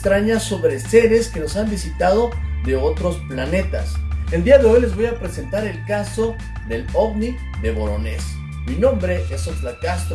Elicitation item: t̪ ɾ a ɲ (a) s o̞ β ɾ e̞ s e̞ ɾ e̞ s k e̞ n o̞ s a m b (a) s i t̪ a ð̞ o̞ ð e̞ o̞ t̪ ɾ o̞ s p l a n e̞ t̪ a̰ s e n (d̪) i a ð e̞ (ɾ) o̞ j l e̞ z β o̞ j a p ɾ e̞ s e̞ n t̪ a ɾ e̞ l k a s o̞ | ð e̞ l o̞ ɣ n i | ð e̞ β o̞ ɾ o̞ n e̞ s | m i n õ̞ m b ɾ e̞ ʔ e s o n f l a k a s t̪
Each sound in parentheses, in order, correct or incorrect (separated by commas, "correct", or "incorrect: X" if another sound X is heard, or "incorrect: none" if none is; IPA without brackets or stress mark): correct, incorrect: i, correct, incorrect: none